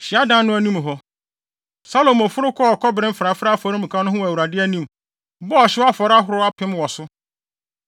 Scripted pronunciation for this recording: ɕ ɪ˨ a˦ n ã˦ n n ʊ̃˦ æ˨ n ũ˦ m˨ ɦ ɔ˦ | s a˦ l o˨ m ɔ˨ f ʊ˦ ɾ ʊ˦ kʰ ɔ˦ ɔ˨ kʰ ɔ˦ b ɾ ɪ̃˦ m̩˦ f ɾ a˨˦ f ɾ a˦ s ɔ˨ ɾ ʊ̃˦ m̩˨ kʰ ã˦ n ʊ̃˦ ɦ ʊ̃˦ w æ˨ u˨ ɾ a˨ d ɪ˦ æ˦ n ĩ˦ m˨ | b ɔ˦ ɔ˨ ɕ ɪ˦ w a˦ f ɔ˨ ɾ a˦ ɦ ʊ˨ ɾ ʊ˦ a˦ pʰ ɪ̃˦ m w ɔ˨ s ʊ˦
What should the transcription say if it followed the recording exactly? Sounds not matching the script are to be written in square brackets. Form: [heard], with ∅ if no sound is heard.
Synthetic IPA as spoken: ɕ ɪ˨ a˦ [d] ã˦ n n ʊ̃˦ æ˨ n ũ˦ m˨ ɦ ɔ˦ | s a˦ l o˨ m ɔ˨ f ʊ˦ ɾ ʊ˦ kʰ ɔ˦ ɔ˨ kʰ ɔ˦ b ɾ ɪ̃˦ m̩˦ f ɾ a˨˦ f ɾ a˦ [f] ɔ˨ ɾ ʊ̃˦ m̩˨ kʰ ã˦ n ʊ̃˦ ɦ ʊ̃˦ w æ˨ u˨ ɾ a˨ d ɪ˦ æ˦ n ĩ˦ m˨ | b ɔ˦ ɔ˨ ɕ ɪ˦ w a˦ f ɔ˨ ɾ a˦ ɦ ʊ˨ ɾ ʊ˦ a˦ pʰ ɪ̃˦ m w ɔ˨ s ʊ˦